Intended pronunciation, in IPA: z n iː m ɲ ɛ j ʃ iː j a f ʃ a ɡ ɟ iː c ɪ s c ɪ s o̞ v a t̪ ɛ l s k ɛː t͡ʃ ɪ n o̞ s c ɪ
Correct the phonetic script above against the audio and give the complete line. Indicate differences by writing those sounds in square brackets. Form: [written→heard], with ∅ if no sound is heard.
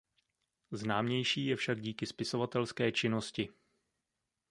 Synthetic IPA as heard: z n [iː→aː] m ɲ ɛ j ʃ iː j [a→ɛ] f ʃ a ɡ ɟ iː [c→k] ɪ s [c→p] ɪ s o̞ v a t̪ ɛ l s k ɛː t͡ʃ ɪ n o̞ s c ɪ